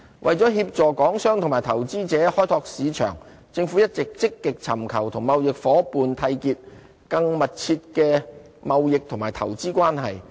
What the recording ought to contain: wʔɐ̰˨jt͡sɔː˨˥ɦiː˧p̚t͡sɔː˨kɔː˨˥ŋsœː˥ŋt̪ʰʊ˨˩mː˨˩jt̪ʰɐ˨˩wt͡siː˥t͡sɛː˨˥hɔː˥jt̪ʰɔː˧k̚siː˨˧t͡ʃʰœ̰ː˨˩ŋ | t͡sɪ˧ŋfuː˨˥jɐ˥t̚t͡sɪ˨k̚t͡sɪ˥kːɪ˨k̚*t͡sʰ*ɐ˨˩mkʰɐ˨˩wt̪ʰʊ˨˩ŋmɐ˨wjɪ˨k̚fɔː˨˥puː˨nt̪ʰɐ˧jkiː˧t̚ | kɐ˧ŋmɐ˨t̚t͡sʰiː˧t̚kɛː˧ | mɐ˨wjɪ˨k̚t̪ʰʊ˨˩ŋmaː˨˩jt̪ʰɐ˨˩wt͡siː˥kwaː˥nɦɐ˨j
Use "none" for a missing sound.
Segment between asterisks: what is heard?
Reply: t͡sʰ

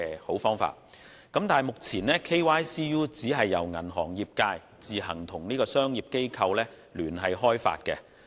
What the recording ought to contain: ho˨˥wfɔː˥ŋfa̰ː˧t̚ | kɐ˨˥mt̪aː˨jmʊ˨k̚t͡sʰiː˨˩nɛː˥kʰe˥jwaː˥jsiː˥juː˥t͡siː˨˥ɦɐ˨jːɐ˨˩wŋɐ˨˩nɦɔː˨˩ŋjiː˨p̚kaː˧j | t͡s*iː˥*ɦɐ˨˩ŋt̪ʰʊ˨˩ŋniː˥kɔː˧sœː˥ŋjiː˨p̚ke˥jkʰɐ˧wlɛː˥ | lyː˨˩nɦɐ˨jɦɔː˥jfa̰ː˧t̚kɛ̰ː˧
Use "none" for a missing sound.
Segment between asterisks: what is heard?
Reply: iː˨˩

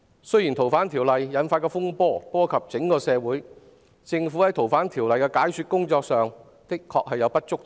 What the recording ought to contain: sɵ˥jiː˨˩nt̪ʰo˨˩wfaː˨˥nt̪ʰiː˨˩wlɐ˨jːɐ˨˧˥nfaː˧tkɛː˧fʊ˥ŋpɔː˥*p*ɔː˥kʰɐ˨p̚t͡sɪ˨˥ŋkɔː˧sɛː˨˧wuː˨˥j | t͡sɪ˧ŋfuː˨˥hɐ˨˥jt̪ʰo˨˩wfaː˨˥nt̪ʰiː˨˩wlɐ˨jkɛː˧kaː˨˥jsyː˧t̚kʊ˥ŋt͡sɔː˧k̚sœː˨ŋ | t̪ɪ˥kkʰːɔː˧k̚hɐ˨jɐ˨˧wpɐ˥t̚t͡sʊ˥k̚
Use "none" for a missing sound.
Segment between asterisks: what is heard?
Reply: p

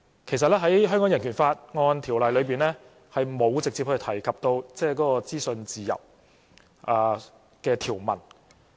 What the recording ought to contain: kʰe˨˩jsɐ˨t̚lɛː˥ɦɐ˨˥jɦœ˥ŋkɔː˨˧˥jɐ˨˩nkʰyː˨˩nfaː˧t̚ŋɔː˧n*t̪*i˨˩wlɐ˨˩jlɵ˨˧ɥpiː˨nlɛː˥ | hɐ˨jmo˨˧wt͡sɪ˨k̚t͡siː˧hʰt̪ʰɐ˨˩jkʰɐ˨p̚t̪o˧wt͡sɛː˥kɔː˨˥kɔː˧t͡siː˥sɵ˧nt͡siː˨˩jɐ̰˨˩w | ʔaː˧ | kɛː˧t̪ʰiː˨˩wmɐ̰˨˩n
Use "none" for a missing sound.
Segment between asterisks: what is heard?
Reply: t̪ʰ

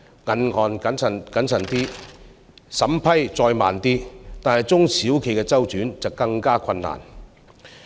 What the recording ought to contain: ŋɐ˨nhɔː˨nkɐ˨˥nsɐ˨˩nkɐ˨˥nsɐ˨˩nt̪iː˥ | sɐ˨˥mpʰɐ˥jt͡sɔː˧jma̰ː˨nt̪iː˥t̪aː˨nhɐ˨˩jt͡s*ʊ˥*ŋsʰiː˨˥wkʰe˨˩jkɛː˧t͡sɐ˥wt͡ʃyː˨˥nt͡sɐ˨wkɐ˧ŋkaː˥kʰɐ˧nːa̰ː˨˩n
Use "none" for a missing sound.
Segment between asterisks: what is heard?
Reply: ʊ˥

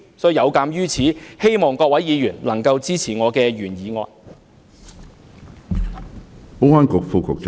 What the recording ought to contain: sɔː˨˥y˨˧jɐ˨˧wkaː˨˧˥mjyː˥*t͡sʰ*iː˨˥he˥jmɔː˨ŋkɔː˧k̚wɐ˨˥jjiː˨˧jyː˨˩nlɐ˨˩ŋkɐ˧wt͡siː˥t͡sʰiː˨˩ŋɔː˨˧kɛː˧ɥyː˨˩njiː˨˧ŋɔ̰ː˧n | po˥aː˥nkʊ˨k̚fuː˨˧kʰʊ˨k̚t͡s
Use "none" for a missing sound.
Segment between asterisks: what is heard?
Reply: t͡sʰ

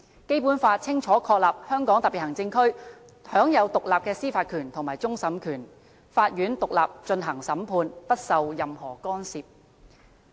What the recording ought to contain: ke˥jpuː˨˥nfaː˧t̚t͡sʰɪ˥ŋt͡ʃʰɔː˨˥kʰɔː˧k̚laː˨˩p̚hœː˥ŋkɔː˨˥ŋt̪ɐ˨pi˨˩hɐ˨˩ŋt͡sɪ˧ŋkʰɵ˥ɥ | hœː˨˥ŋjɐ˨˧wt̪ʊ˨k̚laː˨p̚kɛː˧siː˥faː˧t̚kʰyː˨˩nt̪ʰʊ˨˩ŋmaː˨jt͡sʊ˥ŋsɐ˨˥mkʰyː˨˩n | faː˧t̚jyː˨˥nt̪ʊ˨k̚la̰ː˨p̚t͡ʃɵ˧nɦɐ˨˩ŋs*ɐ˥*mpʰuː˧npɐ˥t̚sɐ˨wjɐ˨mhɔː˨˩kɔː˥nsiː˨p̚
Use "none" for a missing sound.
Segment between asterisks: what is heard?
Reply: ɐ˨˥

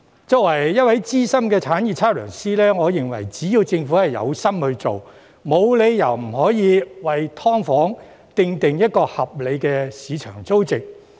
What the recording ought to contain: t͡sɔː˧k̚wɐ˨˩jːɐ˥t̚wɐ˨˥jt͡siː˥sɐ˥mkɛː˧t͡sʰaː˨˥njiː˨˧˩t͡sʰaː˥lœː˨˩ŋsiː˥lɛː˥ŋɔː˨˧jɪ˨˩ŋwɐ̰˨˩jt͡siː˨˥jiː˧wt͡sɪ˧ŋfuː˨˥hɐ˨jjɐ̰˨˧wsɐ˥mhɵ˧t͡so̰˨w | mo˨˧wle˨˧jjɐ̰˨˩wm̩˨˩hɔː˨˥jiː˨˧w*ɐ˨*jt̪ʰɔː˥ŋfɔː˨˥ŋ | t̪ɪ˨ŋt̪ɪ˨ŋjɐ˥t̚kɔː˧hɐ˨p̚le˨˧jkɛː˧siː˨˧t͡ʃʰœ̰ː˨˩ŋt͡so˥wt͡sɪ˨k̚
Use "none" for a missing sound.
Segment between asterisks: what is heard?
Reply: ɐ˨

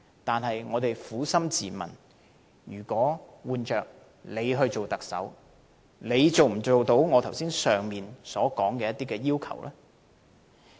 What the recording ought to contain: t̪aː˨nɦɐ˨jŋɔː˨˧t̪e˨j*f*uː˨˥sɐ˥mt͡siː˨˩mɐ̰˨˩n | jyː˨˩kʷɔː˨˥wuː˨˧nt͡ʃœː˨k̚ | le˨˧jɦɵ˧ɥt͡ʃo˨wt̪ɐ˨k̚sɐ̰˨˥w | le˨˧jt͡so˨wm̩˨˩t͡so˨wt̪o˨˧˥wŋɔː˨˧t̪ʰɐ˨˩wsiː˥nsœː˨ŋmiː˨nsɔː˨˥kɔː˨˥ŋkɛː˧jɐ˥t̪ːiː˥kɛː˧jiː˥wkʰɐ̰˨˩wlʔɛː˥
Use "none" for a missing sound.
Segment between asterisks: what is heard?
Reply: f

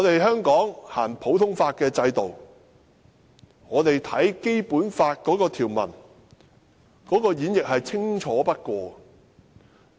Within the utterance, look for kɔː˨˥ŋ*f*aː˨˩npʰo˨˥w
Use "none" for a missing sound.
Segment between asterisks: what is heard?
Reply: h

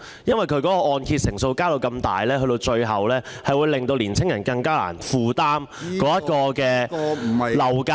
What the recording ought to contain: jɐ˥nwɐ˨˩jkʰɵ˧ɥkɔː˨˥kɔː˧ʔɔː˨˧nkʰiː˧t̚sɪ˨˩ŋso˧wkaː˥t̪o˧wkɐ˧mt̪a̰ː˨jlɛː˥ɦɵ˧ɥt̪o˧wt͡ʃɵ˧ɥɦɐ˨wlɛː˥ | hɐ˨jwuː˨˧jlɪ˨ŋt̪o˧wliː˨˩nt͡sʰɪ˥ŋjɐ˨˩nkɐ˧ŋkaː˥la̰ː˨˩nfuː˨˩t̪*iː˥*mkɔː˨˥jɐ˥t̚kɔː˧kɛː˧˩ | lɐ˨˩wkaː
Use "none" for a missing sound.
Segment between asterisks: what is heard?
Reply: aː˥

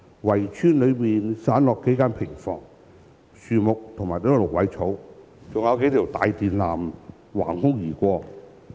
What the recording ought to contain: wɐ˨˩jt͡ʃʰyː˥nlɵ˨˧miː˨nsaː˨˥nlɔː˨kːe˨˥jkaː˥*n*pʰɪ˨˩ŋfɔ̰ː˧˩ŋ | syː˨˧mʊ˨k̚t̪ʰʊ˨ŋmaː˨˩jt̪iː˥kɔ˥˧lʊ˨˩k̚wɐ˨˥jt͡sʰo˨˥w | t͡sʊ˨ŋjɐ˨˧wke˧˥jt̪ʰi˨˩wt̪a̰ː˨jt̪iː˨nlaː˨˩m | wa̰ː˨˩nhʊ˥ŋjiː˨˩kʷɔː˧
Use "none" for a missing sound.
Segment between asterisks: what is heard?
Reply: n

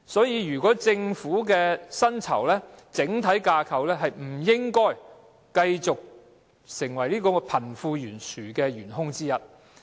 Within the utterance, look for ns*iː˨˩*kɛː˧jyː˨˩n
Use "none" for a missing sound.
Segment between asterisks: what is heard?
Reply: yː˨˩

